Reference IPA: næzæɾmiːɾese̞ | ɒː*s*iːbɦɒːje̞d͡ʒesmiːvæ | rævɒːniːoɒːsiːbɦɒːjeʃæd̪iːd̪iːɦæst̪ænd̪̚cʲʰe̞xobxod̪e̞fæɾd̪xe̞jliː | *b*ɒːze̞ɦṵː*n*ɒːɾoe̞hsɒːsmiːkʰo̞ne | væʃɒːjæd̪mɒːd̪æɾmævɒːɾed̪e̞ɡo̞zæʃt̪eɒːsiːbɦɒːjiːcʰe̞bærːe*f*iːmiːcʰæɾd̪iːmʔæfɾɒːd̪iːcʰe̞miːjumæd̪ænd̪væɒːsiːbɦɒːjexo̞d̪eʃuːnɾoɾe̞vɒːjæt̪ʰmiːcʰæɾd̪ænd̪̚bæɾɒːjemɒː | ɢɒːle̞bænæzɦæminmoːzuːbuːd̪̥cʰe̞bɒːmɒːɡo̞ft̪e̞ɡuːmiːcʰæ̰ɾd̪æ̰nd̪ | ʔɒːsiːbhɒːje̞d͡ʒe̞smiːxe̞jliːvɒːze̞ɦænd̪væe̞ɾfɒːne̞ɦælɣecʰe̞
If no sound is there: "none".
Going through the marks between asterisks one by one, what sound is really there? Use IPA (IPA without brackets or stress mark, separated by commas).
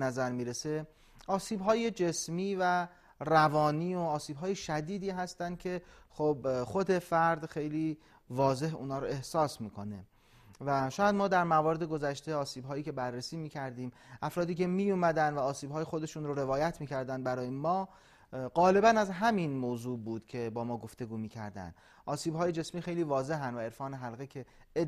s, v, n, s